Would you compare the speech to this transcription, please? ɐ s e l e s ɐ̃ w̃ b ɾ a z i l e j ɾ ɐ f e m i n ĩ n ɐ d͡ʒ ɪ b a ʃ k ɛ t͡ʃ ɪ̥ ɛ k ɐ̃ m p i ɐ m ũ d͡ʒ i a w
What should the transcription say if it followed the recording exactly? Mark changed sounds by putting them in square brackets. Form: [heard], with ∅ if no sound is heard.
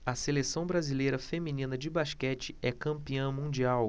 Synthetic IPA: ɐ s e l e s ɐ̃ w̃ b ɾ a z i l e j ɾ ɐ f e m i n ĩ n ɐ d͡ʒ ɪ b a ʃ k ɛ t͡ʃ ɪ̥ ɛ k ɐ̃ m p i [ɐ̃] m ũ d͡ʒ i a w